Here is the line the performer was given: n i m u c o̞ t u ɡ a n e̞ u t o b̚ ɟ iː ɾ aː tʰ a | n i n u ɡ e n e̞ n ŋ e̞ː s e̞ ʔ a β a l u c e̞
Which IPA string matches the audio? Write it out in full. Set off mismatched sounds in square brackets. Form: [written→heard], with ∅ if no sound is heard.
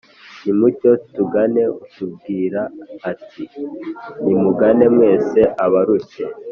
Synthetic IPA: n i m u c o̞ t u ɡ a n e̞ u t [o→u] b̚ [ɟ→ɡ] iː ɾ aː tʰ [a→i] | n i [n→m] u ɡ [e→a] n e̞ [n→m] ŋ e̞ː s e̞ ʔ a β a [l→ɾ] u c e̞

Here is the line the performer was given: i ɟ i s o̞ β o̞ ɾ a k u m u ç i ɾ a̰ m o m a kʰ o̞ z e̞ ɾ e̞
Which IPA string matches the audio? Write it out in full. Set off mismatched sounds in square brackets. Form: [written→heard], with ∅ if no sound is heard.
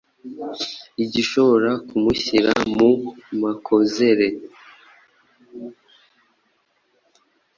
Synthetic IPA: i ɟ i [s→ʃ] o̞ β o̞ ɾ a k u m u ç i ɾ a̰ m [o→u] m a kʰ o̞ z e̞ ɾ e̞

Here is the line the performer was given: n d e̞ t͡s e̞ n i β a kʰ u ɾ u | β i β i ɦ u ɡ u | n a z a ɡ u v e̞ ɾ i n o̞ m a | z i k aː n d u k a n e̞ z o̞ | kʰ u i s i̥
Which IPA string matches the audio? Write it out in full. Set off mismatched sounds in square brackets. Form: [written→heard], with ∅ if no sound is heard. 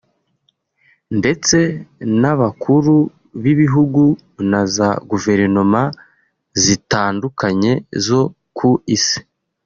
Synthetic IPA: n d e̞ t͡s e̞ n [i→a] β a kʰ u ɾ u | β i β i ɦ u ɡ u | n a z a ɡ u v e̞ ɾ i n o̞ m a | z i [k→t] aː n d u k a [n→ɲ] e̞ z o̞ | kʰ u i s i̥

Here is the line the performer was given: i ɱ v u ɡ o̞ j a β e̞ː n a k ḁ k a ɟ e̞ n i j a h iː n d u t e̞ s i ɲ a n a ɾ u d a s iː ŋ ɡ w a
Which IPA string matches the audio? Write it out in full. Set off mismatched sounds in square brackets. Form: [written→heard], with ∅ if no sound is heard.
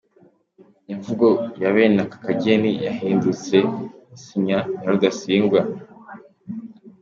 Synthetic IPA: i ɱ v u ɡ o̞ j a β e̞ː n a k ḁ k a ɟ e̞ n i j a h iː n d u [t→t͡s] e̞ s i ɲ a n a ɾ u d a s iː ŋ ɡ w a

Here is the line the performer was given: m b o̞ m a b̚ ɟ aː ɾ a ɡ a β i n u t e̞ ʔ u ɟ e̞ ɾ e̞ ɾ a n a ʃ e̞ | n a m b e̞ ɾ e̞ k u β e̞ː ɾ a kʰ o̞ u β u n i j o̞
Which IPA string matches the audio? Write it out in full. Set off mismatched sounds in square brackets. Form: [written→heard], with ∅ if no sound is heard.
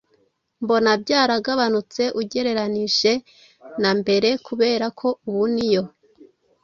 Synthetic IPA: m b o̞ [m→n] a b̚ ɟ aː ɾ a ɡ a β [i→a] n u [t→t͡s] e̞ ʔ u ɟ e̞ ɾ e̞ ɾ a n [a→i] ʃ e̞ | n a m b e̞ ɾ e̞ k u β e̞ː ɾ a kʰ o̞ u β u n i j o̞

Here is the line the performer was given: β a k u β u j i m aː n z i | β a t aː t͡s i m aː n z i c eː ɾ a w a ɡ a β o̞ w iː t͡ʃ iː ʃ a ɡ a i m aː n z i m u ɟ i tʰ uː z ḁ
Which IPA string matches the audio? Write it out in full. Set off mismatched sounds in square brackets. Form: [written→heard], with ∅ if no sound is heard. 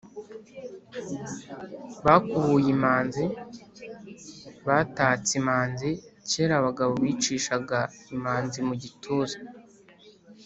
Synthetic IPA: β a k u β u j i m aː n z i | β a t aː t͡s i m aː n z i c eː ɾ a [w→β] a ɡ a β o̞ [w→β] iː t͡ʃ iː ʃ a ɡ a i m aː n z i m u ɟ i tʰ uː z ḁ

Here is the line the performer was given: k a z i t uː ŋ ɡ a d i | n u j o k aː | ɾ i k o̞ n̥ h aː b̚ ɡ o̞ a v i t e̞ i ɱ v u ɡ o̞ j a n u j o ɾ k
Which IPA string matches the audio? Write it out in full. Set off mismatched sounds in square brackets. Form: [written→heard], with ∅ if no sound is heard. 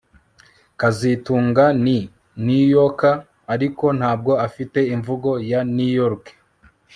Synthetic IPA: k a z i t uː ŋ ɡ a [d→n] i | n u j o k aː | ɾ i k o̞ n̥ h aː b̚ ɡ o̞ a [v→f] i t e̞ i ɱ v u ɡ o̞ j a n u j o ɾ k

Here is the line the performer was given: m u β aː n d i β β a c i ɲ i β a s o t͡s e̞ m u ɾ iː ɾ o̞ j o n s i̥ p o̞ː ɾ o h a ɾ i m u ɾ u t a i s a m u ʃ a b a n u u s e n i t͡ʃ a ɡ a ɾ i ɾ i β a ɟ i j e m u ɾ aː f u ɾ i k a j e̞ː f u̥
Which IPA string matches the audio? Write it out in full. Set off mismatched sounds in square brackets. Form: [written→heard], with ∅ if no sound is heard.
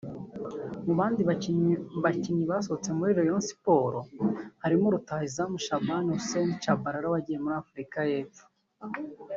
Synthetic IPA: m u β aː n d i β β a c i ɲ i β a s o t͡s e̞ m u ɾ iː ɾ o̞ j o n s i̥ p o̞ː ɾ o h a ɾ i m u ɾ u t a i [s→z] a m u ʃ a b a n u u s e n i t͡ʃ a [ɡ→b] a ɾ [i→a] ɾ [i→a] β a ɟ i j e m u ɾ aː f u ɾ i k a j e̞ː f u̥

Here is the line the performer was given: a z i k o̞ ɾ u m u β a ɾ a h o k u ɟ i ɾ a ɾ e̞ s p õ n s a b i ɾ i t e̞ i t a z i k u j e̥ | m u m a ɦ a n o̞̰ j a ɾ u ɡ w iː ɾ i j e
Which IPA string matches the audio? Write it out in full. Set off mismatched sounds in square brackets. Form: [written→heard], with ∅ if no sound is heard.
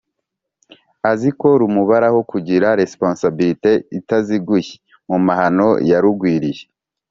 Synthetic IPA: a z i k o̞ ɾ u m u β a ɾ a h o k u ɟ i ɾ a ɾ e̞ s p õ n s a b i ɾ i t e̞ i t a z i [k→ɡ] u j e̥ | m u m a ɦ a n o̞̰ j a ɾ u ɡ w iː ɾ i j e

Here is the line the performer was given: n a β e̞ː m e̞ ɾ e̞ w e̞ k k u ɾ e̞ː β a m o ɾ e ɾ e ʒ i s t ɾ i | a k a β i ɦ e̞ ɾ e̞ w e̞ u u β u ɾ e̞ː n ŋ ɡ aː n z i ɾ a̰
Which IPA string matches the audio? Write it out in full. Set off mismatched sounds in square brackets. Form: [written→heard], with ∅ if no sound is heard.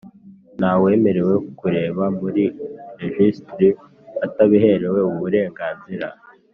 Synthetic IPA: n a [β→w] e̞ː m e̞ ɾ e̞ w e̞ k k u ɾ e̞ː β a m [o→u] ɾ [e→i] ɾ e ʒ i s t ɾ i | a [k→t] a β i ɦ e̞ ɾ e̞ w e̞ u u β u ɾ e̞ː [n→∅] ŋ ɡ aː n z i ɾ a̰

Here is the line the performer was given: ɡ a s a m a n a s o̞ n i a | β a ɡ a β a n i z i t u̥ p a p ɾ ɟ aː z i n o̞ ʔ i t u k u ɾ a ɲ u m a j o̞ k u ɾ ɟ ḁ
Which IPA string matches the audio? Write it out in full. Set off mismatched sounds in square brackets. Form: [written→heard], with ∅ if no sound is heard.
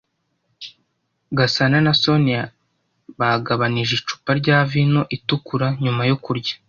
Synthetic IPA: ɡ a s a [m→n] a n a s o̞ n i a | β a ɡ a β a n i [z→ʒ] i [t→t͡ʃ] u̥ p a [p→∅] ɾ ɟ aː [z→v] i n o̞ ʔ i t u k u ɾ a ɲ u m a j o̞ k u ɾ ɟ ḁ

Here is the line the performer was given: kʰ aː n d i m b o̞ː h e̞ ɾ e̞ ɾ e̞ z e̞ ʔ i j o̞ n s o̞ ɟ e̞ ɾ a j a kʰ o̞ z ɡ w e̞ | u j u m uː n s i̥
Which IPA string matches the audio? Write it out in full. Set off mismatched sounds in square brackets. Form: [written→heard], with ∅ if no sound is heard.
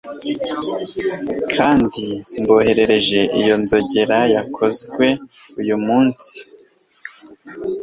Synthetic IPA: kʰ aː n d i m b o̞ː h e̞ ɾ e̞ ɾ e̞ [z→ʒ] e̞ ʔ i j o̞ n [s→z] o̞ ɟ e̞ ɾ a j a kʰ o̞ z ɡ w e̞ | u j u m uː n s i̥

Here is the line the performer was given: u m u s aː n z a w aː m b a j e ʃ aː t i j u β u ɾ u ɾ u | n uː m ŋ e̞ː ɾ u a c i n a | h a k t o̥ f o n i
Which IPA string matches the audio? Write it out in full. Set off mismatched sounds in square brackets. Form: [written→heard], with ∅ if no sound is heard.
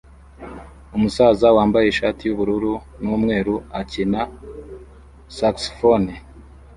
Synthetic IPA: u m u s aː [n→∅] z a w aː m b a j e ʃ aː t i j u β u ɾ u ɾ u | n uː m ŋ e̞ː ɾ u a c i n a | [h→s] a k [t→s] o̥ f o n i

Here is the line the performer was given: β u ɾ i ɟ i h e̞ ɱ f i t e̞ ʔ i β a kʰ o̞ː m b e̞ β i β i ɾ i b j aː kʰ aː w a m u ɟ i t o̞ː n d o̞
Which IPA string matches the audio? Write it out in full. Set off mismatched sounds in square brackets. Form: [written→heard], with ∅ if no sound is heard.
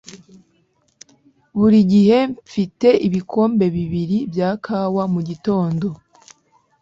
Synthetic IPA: β u ɾ i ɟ i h e̞ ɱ f i t e̞ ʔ i β [a→i] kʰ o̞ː m b e̞ β i β i ɾ i b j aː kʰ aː w a m u ɟ i t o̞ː n d o̞

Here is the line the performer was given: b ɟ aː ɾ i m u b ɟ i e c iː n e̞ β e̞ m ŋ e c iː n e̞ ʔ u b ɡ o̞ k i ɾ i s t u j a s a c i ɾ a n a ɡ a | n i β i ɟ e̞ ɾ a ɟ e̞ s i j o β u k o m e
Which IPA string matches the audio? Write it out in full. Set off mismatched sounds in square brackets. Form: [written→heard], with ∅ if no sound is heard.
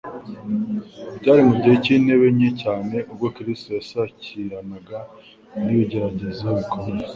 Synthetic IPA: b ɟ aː ɾ i m u b ɟ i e c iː n e̞ β e̞ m [ŋ→ɲ] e c [iː→aː] n e̞ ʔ u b ɡ o̞ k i ɾ i s t [u→o] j a s a c i ɾ a n a ɡ a | n i β i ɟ e̞ ɾ a ɟ e̞ [s→z] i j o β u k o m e

